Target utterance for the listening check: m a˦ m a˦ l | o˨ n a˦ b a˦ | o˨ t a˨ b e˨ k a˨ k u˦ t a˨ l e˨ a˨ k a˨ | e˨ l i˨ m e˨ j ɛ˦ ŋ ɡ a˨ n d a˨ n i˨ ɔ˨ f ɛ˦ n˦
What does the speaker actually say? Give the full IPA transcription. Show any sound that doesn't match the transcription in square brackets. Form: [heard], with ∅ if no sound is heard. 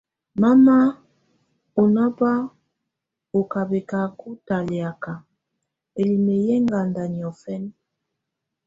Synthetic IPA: m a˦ m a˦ [∅] | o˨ n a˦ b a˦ | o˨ [k] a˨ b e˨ k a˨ k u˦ t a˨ l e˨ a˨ k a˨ | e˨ l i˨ m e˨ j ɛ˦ ŋ ɡ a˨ n d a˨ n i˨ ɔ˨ f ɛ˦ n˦